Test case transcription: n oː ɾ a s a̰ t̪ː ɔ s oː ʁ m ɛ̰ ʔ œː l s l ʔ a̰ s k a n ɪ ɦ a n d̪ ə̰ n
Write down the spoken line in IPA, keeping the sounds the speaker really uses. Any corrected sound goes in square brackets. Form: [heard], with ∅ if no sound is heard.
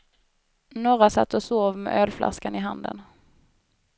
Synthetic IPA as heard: n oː ɾ a s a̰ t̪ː ɔ s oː [v] m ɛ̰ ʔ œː l [f] l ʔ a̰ s k a n ɪ ɦ a n d̪ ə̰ n